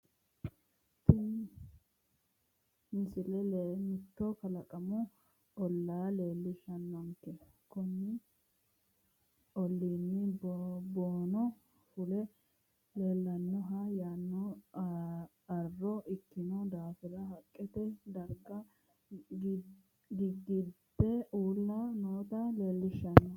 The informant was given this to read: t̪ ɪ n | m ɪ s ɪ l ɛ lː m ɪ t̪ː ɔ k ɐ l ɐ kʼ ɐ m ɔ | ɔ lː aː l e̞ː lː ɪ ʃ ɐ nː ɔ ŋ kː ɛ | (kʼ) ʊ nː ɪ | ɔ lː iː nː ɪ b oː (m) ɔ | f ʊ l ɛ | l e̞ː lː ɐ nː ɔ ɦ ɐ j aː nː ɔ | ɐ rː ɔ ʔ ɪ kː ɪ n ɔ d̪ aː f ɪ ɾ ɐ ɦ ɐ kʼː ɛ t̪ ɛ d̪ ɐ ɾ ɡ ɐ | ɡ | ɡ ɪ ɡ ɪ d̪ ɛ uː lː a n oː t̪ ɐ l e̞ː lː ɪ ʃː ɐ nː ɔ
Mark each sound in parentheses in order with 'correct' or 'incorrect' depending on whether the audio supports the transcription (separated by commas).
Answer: incorrect, incorrect